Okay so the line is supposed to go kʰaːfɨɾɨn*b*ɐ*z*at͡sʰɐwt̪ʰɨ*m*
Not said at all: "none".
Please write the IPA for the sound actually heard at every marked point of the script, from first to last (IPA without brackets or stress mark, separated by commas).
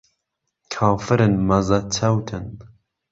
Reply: m, z, n